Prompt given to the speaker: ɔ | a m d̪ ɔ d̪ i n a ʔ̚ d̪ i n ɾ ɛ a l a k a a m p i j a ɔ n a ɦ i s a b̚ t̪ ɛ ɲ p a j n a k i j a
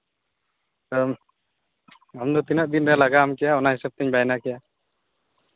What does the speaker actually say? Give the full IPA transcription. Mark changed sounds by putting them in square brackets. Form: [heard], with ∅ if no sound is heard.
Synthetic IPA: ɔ | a m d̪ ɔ [t̪] i n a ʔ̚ d̪ i n ɾ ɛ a l a [ɡ] a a m [k] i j a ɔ n a ɦ i s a b̚ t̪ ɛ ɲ [b] a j n a k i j a

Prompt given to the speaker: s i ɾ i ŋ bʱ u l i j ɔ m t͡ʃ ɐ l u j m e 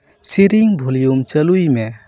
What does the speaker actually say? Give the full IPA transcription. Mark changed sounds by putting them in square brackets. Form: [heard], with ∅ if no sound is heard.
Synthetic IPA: s i ɾ i ŋ bʱ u l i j [u] m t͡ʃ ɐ l u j m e

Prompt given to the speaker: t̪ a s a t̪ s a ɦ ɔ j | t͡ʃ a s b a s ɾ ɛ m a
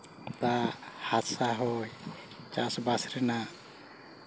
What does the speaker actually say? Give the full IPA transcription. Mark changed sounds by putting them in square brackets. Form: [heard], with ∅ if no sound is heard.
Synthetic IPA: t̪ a [h] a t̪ s a ɦ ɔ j | t͡ʃ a s b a s ɾ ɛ [n] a

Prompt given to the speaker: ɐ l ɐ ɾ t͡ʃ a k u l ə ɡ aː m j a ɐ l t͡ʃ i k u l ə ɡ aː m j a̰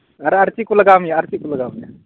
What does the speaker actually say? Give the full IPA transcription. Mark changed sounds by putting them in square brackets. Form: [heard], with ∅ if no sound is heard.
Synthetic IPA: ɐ [ɾ] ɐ ɾ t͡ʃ [i] k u l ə ɡ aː m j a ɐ [ɾ] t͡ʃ i k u l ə ɡ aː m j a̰

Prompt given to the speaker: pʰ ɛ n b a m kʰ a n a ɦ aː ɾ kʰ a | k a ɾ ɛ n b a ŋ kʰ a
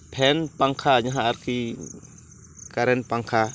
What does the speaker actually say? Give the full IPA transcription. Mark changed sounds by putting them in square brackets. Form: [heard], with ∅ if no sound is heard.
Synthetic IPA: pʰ ɛ n [p] a [ŋ] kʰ a [ɲ] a ɦ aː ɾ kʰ [i] | k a ɾ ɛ n [p] a ŋ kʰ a

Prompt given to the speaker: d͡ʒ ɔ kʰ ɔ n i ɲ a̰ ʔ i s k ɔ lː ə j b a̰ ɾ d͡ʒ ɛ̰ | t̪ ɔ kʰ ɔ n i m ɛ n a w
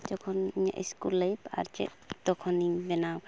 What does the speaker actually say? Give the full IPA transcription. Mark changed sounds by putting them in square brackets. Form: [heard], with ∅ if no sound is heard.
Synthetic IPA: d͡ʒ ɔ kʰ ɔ n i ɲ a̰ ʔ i s k [u] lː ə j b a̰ ɾ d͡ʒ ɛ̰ | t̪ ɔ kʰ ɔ n i [b] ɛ n a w

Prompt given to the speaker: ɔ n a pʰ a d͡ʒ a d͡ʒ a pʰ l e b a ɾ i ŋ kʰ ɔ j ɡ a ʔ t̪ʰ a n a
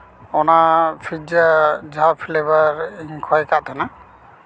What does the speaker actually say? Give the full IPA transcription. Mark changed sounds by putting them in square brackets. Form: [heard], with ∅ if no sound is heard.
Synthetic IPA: ɔ n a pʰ [i] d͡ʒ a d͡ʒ a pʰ l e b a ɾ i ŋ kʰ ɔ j [k] a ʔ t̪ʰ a n a

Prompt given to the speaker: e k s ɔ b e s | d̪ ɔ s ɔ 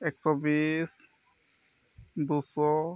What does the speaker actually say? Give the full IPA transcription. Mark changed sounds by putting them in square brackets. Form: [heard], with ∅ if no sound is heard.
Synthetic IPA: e k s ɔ b [i] s | d̪ [u] s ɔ

